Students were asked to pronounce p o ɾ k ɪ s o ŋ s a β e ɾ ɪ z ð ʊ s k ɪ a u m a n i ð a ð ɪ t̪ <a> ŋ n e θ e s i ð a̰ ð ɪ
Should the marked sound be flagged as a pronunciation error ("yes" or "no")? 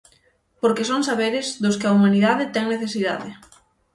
yes